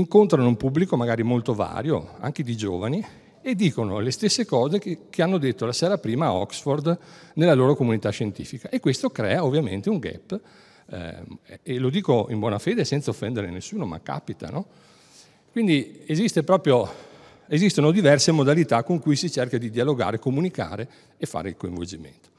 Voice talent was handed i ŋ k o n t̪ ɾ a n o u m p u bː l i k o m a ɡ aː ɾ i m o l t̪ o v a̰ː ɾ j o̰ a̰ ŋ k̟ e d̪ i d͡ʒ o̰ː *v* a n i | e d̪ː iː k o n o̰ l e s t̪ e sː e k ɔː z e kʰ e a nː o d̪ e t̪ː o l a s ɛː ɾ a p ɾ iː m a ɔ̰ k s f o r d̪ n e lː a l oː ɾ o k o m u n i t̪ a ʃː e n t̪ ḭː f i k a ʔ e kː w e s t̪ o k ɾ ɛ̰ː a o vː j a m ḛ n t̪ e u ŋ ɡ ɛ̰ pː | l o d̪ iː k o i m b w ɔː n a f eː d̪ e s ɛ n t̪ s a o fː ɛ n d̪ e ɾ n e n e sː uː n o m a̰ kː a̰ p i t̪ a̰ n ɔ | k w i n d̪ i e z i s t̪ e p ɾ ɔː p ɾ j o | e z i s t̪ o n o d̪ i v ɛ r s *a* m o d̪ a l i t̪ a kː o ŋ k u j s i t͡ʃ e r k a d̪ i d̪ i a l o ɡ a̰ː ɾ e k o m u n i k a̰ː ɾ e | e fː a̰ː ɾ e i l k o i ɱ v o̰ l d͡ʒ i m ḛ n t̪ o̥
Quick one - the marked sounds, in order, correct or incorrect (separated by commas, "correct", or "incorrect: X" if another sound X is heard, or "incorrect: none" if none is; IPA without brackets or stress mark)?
correct, incorrect: e